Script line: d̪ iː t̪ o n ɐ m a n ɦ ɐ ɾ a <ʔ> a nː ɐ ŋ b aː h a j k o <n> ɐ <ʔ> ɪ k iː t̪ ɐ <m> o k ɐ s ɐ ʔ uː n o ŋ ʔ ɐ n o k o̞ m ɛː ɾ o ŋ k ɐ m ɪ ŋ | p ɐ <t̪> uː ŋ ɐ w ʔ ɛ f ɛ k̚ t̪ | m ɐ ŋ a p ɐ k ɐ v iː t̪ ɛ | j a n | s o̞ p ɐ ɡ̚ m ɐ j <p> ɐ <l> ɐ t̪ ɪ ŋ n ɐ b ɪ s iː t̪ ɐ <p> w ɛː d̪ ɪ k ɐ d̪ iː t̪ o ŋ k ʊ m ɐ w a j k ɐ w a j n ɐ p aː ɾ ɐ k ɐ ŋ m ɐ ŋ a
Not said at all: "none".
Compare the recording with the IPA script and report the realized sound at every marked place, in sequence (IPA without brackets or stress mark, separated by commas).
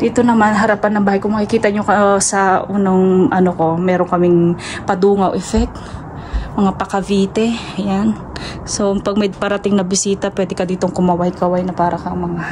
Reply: p, m, k, ɲ, d̪, p, ɾ, p